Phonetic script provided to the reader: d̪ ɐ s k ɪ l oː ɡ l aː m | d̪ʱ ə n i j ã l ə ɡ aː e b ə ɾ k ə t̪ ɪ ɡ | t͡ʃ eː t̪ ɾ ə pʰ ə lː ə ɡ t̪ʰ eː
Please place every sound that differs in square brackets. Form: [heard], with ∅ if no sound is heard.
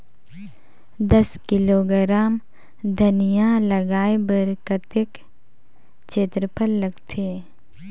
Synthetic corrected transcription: d̪ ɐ s k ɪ l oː ɡ [ɾ] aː m | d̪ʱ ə n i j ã l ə ɡ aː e b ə ɾ k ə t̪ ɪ [k] | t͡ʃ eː t̪ ɾ ə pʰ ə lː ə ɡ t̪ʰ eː